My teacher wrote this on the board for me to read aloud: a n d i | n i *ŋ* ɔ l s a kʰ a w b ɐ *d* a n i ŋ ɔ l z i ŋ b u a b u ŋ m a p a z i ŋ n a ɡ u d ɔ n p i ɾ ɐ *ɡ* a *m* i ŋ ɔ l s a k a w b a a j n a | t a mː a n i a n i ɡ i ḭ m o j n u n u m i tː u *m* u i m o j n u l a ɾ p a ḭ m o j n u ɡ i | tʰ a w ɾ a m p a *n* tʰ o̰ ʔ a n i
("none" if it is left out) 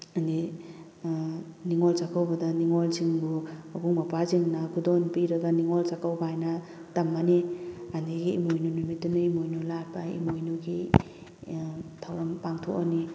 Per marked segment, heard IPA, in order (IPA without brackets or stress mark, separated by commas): ŋ, d, ɡ, n, n, ŋ